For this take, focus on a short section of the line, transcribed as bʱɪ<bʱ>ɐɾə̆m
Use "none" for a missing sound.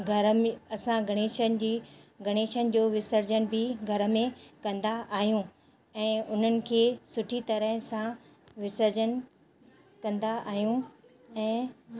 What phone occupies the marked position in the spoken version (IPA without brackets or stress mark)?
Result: ɡʱ